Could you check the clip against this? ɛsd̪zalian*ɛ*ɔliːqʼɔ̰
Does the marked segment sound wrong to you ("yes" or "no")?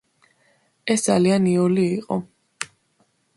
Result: yes